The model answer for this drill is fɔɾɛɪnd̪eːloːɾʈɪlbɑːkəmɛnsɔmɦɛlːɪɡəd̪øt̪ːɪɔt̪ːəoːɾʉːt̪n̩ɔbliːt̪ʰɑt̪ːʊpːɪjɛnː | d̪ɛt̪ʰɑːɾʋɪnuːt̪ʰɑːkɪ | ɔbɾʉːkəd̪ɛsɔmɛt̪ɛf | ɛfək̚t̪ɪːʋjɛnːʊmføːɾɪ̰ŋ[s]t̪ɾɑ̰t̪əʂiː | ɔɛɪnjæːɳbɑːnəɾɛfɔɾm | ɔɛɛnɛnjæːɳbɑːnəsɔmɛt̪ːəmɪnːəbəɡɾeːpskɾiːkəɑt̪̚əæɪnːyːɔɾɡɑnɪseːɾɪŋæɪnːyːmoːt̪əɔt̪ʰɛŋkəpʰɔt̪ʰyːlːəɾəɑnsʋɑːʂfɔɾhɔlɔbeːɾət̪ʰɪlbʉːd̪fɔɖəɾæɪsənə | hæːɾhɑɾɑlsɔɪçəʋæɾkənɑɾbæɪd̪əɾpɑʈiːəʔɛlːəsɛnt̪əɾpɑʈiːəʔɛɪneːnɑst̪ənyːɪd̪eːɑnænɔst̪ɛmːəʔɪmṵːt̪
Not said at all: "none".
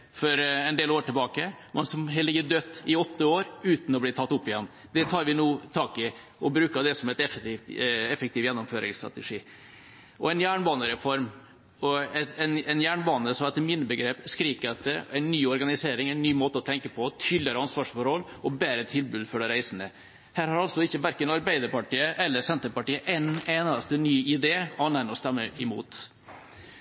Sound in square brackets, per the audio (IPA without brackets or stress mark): s